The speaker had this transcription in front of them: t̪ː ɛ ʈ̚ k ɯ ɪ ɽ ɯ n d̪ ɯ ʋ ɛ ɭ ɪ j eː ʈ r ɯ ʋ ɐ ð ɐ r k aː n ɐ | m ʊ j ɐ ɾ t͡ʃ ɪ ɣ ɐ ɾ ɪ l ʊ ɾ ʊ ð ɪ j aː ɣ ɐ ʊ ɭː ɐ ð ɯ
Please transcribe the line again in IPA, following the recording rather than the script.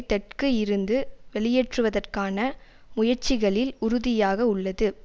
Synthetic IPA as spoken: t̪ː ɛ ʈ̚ k ɯ ɪ ɾ ɯ n d̪ ɯ ʋ ɛ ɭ ɪ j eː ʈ r ɯ ʋ ɐ ð ɐ r k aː n ɐ | m ʊ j ɐ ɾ t͡ʃ ɪ ɣ ɐ ɭ ɪ l ʊ ɾ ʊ ð ɪ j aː ɣ ɐ ʊ ɭː ɐ ð ɯ

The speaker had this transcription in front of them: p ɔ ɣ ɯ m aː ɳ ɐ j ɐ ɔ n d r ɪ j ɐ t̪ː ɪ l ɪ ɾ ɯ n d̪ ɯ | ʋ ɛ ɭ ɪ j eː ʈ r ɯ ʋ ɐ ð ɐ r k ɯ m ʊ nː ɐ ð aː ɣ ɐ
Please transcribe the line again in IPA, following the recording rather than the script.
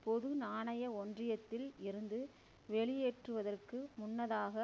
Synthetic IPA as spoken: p ɔ ð ɯ n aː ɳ ɐ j ɐ ɔ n d r ɪ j ɐ t̪ː ɪ l ɪ ɾ ɯ n d̪ ɯ | ʋ ɛ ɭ ɪ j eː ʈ r ɯ ʋ ɐ ð ɐ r k ɯ m ʊ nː ɐ ð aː ɣ ɐ

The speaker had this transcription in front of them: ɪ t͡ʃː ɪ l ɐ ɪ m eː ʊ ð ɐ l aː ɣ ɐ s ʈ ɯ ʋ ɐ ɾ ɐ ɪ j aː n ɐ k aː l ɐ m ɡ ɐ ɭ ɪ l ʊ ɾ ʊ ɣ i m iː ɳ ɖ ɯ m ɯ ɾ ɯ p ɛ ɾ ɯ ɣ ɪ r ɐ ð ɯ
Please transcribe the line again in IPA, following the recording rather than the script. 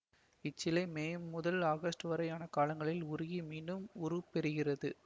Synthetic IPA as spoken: ɪ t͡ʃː ɪ l ɐ ɪ m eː ʊ ð ɐ l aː ɣ ɐ s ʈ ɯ ʋ ɐ ɾ ɐ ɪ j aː n ɐ k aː l ɐ ŋ ɡ ɐ ɭ ɪ l ʊ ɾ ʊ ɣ i m iː ɳ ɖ ɯ m ʊ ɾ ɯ p ɛ ɾ ɯ ɣ ɪ r ɐ ð ɯ

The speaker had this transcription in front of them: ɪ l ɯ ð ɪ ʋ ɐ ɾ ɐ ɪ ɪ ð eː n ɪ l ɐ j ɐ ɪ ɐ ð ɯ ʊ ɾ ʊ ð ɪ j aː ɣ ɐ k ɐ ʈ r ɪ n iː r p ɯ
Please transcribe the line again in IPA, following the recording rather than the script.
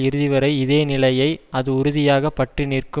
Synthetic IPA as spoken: ɪ ɾ ɯ ð ɪ ʋ ɐ ɾ ɐ ɪ ɪ ð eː n ɪ l ɐ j ɐ ɪ ɐ ð ɯ ʊ ɾ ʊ ð ɪ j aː ɣ ɐ p ɐ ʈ r ɪ n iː r k ɯ

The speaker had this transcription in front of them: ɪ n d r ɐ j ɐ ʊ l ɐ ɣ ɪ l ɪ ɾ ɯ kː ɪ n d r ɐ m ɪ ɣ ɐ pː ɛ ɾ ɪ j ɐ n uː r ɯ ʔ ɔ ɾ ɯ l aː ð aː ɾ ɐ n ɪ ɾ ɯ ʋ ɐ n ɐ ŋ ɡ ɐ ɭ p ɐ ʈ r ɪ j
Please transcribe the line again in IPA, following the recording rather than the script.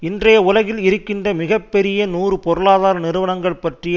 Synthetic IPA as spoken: ɪ n d r ɐ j ɐ ʊ l ɐ ɣ ɪ l ɪ ɾ ɯ kː ɪ n d r ɐ m ɪ ɣ ɐ pː ɛ ɾ ɪ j ɐ n uː r ɯ p ɔ ɾ ɯ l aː ð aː ɾ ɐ n ɪ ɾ ɯ ʋ ɐ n ɐ ŋ ɡ ɐ ɭ p ɐ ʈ r ɪ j

